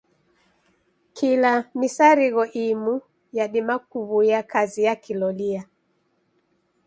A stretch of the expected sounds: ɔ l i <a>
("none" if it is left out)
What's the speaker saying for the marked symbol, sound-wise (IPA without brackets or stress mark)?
a